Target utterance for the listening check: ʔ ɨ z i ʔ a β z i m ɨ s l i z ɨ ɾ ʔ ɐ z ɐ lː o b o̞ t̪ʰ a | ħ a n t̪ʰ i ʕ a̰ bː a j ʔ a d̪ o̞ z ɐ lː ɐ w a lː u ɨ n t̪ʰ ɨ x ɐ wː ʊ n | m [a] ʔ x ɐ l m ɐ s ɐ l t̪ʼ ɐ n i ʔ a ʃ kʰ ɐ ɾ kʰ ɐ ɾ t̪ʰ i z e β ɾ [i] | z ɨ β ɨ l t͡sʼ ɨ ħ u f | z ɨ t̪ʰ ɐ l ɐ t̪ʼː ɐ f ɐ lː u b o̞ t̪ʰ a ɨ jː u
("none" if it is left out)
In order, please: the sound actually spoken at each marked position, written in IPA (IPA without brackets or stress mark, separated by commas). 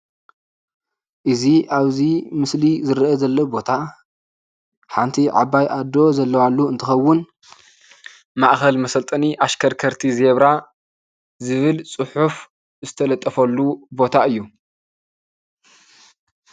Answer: a, a